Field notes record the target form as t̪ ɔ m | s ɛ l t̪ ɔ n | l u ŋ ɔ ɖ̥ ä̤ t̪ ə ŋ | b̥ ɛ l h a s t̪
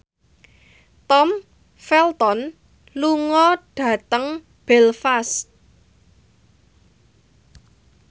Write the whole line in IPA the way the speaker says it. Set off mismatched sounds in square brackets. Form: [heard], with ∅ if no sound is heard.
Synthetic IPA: t̪ ɔ m | [f] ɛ l t̪ ɔ n | l u ŋ ɔ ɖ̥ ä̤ t̪ ə ŋ | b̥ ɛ l [f] a s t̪

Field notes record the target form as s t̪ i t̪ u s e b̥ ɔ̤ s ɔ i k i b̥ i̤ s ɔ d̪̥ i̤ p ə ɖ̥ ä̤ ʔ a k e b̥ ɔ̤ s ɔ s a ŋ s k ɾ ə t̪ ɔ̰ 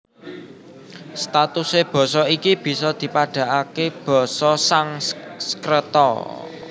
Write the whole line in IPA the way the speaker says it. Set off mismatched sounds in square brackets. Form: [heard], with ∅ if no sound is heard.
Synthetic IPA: s t̪ [a] t̪ u s e b̥ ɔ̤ s ɔ i k i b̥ i̤ s ɔ d̪̥ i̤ p [a] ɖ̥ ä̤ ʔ a k e b̥ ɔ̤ s ɔ s a ŋ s k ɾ ə t̪ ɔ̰

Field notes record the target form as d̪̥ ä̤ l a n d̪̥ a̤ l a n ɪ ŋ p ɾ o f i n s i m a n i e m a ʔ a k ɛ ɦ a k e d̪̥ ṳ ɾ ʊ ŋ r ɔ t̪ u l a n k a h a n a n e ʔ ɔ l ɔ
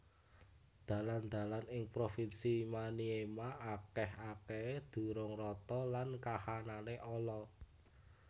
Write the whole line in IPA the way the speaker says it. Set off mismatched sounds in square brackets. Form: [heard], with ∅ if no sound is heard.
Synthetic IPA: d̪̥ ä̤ l a n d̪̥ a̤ l a n ɪ ŋ p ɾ o f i n s i m a n i e m a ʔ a k ɛ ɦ a k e d̪̥ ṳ ɾ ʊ ŋ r ɔ t̪ [ɔ] l a n k a h a n a n e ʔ ɔ l ɔ

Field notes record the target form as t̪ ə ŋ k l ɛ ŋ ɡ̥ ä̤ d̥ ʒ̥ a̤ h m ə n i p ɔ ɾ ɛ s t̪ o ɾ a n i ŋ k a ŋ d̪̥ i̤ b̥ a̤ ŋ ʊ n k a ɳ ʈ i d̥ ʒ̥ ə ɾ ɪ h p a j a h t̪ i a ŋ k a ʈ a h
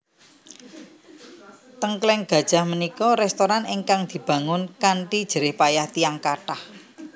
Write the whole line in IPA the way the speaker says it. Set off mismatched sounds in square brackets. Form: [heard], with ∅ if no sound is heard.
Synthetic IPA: t̪ ə ŋ k l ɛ ŋ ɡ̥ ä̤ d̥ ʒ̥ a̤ h m ə n i [k] ɔ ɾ ɛ s t̪ o ɾ a n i ŋ k a ŋ d̪̥ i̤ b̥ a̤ ŋ ʊ n k a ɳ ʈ i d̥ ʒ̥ ə ɾ ɪ h p a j a h t̪ i a ŋ k a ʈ a h

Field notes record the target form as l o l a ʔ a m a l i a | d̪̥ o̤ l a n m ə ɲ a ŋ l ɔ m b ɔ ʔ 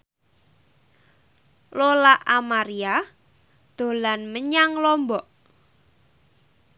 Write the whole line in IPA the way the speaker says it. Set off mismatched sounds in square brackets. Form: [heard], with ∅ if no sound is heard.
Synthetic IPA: l o l a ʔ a m a [ɾ] i a | d̪̥ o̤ l a n m ə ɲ a ŋ l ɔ m b ɔ ʔ

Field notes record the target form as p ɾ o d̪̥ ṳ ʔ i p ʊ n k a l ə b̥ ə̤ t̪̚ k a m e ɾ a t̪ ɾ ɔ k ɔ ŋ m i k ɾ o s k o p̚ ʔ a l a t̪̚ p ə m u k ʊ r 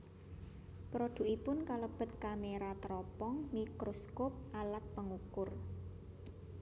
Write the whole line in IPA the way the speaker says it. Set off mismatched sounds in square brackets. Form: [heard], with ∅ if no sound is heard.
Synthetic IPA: p ɾ o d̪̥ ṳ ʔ i p ʊ n k a l ə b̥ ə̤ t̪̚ k a m e ɾ a t̪ ɾ ɔ [p] ɔ ŋ m i k ɾ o s k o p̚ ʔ a l a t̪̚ p ə [ŋ] u k ʊ r

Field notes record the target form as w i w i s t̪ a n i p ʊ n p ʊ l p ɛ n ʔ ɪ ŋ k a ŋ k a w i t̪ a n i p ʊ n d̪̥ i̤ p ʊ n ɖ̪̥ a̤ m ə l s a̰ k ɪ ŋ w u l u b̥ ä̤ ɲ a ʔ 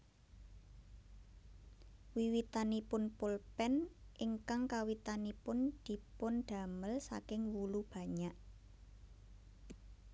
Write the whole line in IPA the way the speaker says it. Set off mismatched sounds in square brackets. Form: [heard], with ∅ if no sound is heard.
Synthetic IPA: w i w i [∅] t̪ a n i p ʊ n p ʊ l p ɛ n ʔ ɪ ŋ k a ŋ k a w i t̪ a n i p ʊ n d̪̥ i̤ p ʊ n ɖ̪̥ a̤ m ə l s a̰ k ɪ ŋ w u l u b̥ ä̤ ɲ a ʔ

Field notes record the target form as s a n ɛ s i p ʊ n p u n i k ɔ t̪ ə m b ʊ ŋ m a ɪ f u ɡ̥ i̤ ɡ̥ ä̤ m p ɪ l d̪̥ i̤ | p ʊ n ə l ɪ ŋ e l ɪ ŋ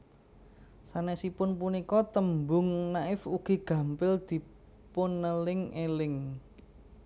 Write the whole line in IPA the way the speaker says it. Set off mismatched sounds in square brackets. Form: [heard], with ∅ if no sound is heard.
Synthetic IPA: s a n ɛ s i p ʊ n p u n i k ɔ t̪ ə m b ʊ ŋ [n] a ɪ f u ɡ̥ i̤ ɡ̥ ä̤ m p ɪ l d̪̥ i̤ | p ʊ n ə l ɪ ŋ e l ɪ ŋ

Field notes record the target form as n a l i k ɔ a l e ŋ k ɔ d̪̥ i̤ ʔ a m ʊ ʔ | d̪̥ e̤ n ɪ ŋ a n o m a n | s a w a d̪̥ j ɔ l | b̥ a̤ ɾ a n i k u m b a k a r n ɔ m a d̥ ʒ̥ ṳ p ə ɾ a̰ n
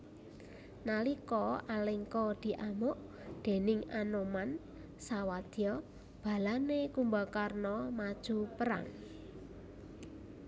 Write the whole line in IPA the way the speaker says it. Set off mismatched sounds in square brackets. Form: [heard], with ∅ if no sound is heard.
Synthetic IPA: n a l i k ɔ a l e ŋ k ɔ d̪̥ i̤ ʔ a m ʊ ʔ | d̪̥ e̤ n ɪ ŋ a n o m a n | s a w a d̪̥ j ɔ [∅] | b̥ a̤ [l] a n [e] k u m b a k a r n ɔ m a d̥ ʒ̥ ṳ p ə ɾ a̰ [ŋ]

